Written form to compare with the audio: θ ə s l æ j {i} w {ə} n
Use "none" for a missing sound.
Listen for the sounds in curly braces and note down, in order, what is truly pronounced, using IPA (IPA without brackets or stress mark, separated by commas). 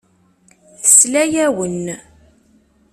æ, ə